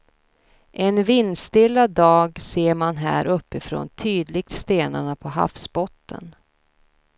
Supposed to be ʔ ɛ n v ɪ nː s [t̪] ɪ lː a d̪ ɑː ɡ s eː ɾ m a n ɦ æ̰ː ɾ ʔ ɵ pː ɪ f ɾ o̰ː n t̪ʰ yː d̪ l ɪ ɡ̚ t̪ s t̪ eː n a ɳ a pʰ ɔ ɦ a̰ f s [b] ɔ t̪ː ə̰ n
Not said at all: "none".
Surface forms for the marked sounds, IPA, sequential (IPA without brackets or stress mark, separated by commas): t̪, b